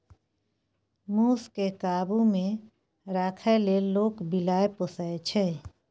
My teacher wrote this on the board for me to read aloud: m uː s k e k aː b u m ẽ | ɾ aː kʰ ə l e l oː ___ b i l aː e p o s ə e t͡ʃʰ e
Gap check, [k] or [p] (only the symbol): k